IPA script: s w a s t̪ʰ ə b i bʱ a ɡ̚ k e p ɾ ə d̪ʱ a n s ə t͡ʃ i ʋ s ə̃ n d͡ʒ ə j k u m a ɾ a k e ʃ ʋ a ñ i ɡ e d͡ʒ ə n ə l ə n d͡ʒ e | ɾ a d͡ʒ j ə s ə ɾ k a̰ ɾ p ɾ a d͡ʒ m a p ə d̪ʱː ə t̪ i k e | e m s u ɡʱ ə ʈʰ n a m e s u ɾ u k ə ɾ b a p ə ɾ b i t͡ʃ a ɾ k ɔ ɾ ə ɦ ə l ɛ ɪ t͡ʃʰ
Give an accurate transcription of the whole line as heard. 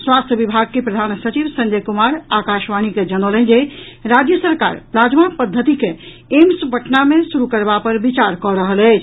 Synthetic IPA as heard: s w a s t̪ʰ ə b i bʱ a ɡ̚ k e p ɾ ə d̪ʱ a n s ə t͡ʃ i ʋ s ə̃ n d͡ʒ ə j k u m a ɾ a k a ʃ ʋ a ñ i k e d͡ʒ ə n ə l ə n d͡ʒ e | ɾ a d͡ʒ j ə s ə ɾ k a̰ ɾ p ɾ a d͡ʒ m a p ə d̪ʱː ə t̪ i k e | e m s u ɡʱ ə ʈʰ n a m e s u ɾ u k ə ɾ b a p ə ɾ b i t͡ʃ a ɾ k ɔ ɾ ə ɦ ə l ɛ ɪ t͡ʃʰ

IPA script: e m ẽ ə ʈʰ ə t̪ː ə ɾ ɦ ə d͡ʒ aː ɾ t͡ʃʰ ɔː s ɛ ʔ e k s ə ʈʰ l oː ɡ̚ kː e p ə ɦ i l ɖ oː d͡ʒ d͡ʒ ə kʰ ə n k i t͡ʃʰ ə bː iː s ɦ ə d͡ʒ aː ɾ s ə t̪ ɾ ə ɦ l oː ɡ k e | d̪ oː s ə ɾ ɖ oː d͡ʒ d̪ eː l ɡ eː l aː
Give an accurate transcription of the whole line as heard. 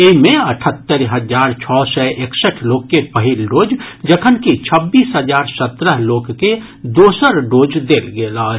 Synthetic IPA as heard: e m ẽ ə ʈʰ ə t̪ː ə ɾ ɦ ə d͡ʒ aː ɾ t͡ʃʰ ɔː s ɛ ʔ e k s ə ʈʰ l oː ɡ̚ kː e p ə ɦ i l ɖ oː d͡ʒ d͡ʒ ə kʰ ə n k i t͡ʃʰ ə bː iː s ɦ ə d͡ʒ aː ɾ s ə t̪ ɾ ə ɦ l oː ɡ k e | d̪ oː s ə ɾ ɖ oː d͡ʒ d̪ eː l ɡ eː l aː

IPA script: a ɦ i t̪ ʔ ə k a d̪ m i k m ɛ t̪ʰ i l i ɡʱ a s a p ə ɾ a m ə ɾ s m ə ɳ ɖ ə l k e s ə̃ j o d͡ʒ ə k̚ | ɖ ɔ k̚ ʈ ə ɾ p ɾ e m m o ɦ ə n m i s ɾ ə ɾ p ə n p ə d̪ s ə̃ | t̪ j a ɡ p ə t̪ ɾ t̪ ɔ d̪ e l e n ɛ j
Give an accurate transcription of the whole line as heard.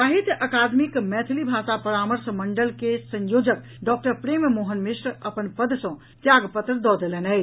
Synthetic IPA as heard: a ɦ i t̪ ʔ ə k a d̪ m i k m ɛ t̪ʰ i l i bʱ a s a p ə ɾ a m ə ɾ s m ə ɳ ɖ ə l k e s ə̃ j o d͡ʒ ə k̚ | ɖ ɔ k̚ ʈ ə ɾ p ɾ e m m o ɦ ə n m i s ɾ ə p ə n p ə d̪ s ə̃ | t̪ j a ɡ p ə t̪ ɾ d̪ ɔ d̪ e l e n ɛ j

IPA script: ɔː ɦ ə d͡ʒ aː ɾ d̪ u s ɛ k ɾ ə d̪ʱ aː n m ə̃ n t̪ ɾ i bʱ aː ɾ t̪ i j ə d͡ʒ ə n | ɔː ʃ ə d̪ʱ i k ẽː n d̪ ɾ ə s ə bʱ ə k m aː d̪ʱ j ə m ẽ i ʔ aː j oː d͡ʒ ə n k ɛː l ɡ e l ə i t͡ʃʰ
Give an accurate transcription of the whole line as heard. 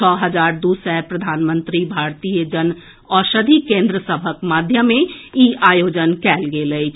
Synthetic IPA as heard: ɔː ɦ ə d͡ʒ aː ɾ d̪ u s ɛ p ɾ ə d̪ʱ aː n m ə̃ n t̪ ɾ i bʱ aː ɾ t̪ i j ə d͡ʒ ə n | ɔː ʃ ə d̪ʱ i k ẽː n d̪ ɾ ə s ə bʱ ə k m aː d̪ʱ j ə m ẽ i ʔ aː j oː d͡ʒ ə n k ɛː l ɡ e l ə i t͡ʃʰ

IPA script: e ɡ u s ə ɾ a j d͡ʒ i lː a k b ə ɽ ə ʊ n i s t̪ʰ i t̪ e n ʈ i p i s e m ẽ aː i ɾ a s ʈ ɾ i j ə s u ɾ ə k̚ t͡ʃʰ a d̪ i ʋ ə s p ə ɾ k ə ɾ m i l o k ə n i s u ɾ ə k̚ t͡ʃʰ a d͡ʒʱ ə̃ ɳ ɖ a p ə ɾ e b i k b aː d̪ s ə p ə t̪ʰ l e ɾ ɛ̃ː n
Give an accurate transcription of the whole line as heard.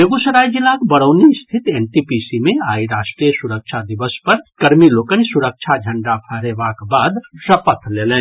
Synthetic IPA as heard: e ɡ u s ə ɾ a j d͡ʒ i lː a k b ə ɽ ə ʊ n i s t̪ʰ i t̪ e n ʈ i p i s i m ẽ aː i ɾ a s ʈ ɾ i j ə s u ɾ ə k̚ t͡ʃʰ a d̪ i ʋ ə s p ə ɾ k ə ɾ m i l o k ə n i s u ɾ ə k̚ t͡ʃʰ a d͡ʒʱ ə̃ ɳ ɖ a pʰ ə ɾ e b a k b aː d̪ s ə p ə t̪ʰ l e l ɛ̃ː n

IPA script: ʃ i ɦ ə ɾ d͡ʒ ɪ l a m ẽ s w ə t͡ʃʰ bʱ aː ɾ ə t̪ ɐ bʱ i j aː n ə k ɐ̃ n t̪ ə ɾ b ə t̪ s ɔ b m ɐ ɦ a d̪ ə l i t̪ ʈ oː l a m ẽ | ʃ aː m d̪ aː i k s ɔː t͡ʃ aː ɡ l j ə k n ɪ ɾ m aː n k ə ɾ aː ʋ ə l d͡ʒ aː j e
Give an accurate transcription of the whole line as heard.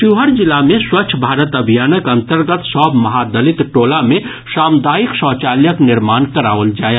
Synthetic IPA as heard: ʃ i ɦ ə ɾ d͡ʒ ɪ l a m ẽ s w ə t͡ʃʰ bʱ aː ɾ ə t̪ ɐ bʱ i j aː n ə k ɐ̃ n t̪ ə ɾ ɡ ə t̪ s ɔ b m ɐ ɦ a d̪ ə l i t̪ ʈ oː l a m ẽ | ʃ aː m d̪ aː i k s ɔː t͡ʃ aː l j ə k n ɪ ɾ m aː n k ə ɾ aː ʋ ə l d͡ʒ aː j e

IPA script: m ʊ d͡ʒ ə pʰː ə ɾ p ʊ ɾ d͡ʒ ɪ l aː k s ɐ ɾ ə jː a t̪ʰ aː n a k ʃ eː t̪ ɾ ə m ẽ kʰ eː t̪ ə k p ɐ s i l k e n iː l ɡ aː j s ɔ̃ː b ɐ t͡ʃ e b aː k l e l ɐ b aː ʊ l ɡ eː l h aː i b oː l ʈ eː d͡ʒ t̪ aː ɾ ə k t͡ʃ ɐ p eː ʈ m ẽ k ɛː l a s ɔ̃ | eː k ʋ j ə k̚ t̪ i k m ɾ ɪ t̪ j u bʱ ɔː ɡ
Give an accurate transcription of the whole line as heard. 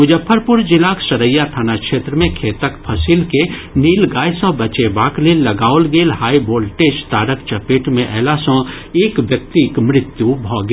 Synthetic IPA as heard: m ʊ d͡ʒ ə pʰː ə ɾ p ʊ ɾ d͡ʒ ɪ l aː k s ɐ ɾ ə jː a t̪ʰ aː n a k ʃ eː t̪ ɾ ə m ẽ kʰ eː t̪ ə k pʰ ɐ s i l k e n iː l ɡ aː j s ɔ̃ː b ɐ t͡ʃ e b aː k l e l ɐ ɡ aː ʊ l ɡ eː l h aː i b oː l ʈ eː d͡ʒ t̪ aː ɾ ə k t͡ʃ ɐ p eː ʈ m ẽ ʔ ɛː l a s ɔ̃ | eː k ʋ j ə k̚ t̪ i k m ɾ ɪ t̪ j u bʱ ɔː ɡ

